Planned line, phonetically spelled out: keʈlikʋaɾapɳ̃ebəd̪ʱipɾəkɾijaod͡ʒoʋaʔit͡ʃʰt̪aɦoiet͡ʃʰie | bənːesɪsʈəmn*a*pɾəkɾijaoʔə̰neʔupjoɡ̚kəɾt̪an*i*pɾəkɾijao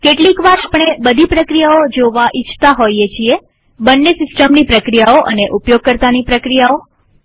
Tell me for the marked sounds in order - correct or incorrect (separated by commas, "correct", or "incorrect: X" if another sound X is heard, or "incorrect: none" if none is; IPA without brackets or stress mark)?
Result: incorrect: i, correct